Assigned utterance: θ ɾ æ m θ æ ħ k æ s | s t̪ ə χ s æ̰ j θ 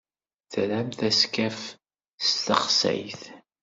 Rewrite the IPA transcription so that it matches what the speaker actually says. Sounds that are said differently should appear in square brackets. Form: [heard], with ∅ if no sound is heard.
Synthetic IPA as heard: θ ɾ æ m θ æ [s] k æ [f] | s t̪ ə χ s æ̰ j θ